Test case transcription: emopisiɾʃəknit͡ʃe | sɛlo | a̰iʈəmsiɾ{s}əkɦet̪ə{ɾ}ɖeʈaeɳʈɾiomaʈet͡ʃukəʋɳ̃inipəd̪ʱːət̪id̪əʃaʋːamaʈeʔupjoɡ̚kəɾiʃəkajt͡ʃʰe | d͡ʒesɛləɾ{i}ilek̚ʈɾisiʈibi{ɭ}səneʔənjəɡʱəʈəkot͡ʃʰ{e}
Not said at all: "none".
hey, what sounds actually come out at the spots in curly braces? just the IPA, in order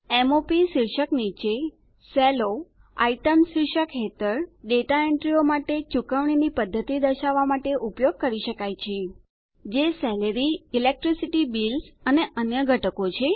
ʃ, ɾ, i, l, e

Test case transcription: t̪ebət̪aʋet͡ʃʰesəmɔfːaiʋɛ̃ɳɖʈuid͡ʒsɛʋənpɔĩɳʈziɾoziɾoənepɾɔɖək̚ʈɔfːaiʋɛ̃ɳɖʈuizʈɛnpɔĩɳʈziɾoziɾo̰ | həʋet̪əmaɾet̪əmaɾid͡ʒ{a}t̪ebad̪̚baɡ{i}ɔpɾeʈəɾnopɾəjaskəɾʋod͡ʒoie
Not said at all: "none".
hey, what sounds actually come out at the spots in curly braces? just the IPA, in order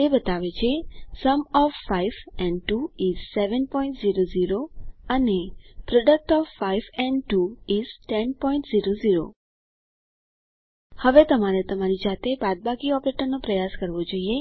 a, i

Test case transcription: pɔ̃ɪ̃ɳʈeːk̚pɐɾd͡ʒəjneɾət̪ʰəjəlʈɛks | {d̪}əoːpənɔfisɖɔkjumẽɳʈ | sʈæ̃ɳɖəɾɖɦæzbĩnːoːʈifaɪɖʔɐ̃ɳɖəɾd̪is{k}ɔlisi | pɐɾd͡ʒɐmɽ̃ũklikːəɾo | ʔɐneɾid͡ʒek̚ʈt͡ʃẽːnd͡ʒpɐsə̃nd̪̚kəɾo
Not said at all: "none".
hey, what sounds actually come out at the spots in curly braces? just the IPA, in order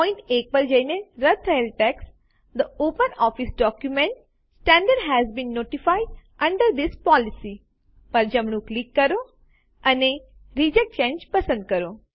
d̪, p

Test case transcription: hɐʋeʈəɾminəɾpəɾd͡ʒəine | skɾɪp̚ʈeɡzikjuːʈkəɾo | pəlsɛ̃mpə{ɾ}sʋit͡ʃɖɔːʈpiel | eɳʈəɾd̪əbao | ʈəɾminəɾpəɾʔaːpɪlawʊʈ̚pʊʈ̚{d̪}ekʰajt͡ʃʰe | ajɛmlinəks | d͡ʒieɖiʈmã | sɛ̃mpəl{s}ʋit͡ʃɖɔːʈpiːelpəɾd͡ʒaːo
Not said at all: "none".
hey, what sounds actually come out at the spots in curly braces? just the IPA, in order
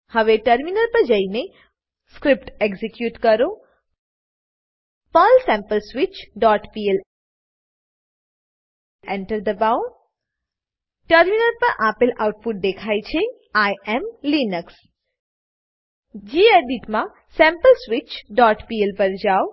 l, d̪, s

